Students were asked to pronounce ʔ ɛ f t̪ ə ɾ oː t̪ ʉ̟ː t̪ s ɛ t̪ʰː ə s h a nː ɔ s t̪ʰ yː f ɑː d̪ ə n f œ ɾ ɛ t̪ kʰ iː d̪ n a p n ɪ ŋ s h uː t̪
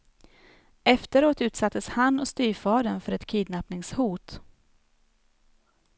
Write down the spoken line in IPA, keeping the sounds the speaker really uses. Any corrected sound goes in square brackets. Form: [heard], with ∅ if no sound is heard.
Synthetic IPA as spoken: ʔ ɛ f t̪ ə ɾ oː t̪ ʉ̟ː t̪ s [a] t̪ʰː ə s h a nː ɔ s [t̪] yː f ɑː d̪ ə n f œ ɾ ɛ t̪ kʰ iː d̪ n a p n ɪ ŋ s h uː t̪